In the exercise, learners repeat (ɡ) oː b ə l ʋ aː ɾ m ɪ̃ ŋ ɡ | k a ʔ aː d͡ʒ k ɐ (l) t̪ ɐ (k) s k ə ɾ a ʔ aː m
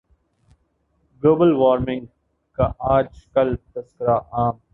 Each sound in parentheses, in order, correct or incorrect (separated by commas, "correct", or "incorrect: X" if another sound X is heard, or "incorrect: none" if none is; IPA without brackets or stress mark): correct, correct, incorrect: none